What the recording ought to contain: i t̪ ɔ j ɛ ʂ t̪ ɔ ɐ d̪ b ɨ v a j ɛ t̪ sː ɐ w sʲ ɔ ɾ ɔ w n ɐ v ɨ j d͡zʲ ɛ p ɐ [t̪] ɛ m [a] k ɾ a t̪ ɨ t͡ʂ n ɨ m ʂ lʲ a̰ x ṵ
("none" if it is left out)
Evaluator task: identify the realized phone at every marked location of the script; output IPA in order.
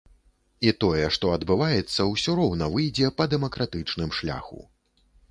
d̪, ɐ

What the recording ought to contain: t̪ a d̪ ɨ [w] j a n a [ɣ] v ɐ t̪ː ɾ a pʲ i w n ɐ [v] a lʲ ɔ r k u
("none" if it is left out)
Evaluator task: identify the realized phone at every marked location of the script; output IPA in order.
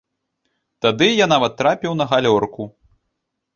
none, none, ɣ

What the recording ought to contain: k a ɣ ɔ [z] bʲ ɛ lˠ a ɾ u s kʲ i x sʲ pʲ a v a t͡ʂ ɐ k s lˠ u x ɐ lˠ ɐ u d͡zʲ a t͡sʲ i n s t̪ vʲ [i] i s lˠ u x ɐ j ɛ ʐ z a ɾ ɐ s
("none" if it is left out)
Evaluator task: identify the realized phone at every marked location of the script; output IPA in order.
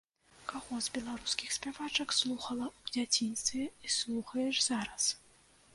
z, ɛ

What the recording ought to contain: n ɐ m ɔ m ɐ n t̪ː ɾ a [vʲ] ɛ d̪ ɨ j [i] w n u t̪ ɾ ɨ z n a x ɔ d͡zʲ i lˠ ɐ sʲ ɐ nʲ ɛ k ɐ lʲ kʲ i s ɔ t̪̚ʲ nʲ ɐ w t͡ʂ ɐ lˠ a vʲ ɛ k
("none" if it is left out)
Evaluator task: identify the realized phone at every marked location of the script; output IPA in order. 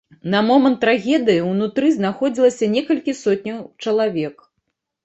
ɣʲ, i

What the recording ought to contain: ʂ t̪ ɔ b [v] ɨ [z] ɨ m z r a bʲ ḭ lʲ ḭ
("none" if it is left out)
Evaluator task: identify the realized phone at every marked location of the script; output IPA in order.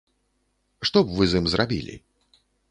v, z

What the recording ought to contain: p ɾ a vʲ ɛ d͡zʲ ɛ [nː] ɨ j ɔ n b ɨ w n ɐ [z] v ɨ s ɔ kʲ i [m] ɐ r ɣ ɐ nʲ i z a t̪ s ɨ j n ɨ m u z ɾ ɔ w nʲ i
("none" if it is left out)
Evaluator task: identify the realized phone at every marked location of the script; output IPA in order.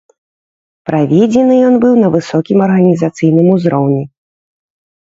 n, none, m

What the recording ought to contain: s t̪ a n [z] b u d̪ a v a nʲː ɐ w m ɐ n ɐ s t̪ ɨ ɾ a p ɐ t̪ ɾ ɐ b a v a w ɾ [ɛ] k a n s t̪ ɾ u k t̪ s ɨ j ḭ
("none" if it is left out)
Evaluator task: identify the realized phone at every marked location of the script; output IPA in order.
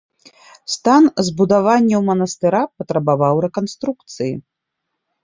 z, ɛ

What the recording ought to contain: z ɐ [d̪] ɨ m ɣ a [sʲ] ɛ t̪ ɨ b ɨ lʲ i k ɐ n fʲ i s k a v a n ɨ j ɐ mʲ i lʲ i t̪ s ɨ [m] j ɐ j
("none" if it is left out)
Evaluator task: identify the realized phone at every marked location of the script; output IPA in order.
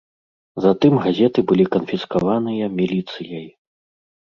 t̪, zʲ, none

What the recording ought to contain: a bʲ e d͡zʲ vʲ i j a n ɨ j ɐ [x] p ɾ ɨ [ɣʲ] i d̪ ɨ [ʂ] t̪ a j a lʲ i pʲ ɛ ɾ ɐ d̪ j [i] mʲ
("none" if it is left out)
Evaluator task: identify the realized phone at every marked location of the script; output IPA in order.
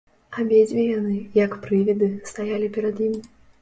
k, vʲ, s, i

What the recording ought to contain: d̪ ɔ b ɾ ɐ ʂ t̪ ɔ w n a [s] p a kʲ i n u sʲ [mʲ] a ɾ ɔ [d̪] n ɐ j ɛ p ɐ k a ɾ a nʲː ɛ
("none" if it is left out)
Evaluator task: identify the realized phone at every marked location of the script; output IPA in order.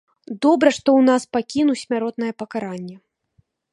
s, mʲ, t̪

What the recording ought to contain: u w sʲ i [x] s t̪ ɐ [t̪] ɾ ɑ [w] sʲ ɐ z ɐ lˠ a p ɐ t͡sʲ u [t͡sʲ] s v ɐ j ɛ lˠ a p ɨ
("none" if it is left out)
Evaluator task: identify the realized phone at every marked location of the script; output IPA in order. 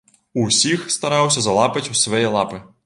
x, none, w, none

